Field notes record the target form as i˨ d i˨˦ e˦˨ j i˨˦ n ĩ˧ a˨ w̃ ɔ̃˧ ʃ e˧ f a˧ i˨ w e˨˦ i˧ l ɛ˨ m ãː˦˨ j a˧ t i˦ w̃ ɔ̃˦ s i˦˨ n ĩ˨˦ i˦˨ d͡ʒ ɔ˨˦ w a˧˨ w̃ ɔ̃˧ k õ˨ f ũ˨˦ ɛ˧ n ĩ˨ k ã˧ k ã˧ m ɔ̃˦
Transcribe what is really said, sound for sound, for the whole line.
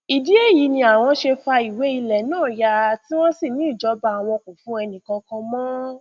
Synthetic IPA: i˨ d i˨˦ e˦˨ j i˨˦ n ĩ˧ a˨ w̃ ɔ̃˧ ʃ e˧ f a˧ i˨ w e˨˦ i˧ l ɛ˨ n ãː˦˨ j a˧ t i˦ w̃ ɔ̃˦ s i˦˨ n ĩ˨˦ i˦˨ d͡ʒ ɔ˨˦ b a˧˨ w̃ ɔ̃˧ k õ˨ f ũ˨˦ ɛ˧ n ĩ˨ k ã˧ k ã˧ m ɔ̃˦